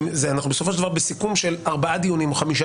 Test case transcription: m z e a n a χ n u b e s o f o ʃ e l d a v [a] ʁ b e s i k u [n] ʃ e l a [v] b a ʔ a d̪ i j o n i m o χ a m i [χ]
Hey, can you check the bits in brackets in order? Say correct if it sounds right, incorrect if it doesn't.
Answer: correct, incorrect: m, incorrect: ʁ, incorrect: ʃ

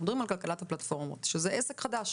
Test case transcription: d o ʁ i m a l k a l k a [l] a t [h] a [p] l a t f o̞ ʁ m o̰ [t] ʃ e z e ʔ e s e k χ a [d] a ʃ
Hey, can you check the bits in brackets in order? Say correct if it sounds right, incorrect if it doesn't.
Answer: correct, correct, correct, correct, correct

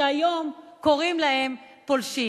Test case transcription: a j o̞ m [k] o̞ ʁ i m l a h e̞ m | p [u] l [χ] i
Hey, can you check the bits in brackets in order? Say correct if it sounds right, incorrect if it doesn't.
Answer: correct, incorrect: o, incorrect: ʃ

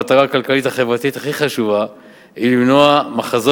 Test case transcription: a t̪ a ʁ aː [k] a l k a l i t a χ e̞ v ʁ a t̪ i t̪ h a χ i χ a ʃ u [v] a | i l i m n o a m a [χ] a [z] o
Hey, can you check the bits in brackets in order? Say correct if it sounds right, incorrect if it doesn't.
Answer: correct, correct, correct, correct

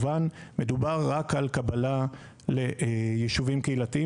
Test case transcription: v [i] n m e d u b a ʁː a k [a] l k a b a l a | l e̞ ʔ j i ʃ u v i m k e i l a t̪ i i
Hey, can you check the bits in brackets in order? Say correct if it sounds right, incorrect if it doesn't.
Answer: incorrect: a, correct

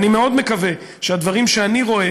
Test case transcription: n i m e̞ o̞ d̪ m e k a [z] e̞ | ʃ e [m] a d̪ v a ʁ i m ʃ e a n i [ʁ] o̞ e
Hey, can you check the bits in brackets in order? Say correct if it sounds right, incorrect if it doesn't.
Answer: incorrect: v, incorrect: none, correct

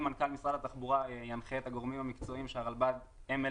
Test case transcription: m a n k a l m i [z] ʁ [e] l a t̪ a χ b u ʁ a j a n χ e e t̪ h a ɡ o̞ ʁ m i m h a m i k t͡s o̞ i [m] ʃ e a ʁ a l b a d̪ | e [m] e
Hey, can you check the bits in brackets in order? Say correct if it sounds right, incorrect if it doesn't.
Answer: incorrect: s, incorrect: a, correct, correct

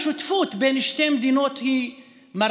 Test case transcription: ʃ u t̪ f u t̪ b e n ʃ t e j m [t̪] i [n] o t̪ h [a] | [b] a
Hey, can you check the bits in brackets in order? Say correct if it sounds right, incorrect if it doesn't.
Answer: incorrect: d̪, correct, incorrect: i, incorrect: m

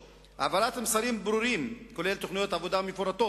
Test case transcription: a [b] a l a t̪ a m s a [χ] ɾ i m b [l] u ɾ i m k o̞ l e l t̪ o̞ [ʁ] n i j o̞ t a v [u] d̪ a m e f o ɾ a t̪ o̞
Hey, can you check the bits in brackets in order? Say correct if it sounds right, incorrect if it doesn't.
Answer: incorrect: v, incorrect: none, incorrect: ɾ, incorrect: χ, incorrect: o

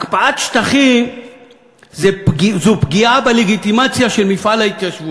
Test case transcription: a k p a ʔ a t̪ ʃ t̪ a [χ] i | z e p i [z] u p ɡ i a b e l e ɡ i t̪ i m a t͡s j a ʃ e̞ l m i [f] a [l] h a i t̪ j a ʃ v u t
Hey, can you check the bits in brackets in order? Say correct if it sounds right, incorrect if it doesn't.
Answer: correct, correct, correct, correct

